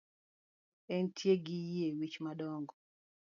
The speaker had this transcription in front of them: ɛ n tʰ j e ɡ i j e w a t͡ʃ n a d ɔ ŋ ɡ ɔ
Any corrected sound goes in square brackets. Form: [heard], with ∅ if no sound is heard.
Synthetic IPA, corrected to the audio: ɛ n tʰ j e ɡ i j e w [i] t͡ʃ [m] a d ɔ ŋ ɡ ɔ